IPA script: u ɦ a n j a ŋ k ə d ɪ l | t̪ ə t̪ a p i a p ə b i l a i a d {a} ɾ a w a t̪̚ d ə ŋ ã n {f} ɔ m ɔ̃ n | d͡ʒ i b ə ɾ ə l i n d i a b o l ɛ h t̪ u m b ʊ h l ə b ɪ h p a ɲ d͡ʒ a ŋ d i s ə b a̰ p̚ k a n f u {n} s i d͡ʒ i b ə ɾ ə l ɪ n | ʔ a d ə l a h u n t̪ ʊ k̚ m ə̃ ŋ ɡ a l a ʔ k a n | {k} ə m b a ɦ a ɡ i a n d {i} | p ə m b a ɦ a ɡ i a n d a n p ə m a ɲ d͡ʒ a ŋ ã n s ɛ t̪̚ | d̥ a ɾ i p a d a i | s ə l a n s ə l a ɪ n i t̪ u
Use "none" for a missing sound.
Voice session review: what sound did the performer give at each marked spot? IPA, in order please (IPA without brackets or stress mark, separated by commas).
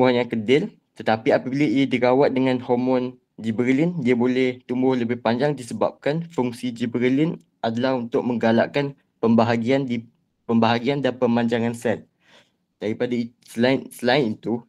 i, h, ŋ, p, i